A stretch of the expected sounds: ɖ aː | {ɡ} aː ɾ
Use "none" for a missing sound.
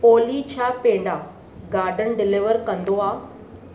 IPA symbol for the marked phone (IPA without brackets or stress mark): ɡ